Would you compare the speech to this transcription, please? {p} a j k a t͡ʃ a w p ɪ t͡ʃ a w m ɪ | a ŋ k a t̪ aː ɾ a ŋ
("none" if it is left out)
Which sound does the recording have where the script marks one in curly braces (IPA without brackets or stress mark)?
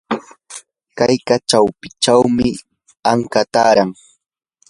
k